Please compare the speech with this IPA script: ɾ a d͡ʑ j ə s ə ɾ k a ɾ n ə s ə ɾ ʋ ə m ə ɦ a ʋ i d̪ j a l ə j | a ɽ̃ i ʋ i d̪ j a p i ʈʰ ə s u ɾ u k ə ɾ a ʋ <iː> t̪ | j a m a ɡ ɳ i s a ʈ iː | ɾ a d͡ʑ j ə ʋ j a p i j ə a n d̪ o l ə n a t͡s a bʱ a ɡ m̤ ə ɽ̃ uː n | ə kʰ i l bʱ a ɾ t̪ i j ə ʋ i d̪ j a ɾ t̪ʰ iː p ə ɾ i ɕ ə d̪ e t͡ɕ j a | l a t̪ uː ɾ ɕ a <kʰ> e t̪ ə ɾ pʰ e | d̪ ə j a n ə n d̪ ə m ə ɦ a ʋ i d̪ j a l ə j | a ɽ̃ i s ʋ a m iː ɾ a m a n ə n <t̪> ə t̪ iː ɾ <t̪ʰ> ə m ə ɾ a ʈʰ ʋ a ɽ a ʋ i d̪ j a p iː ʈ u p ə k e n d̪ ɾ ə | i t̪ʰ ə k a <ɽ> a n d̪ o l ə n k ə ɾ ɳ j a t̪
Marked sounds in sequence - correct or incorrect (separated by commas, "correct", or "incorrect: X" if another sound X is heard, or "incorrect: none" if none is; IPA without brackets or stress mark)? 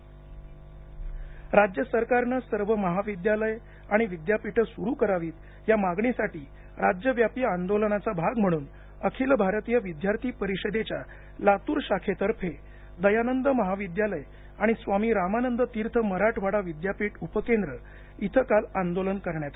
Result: correct, correct, incorrect: d̪, correct, incorrect: l